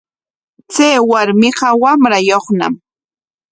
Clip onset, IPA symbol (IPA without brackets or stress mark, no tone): t͡s